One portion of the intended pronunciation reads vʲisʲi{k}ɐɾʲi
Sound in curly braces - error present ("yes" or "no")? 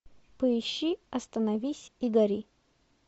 yes